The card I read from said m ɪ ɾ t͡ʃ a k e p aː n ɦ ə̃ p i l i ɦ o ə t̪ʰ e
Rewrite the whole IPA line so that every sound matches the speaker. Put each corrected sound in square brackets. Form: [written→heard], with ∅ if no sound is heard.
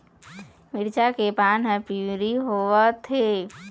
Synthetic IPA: m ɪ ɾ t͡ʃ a k e p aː n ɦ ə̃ p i [l→ɾ] i ɦ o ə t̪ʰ e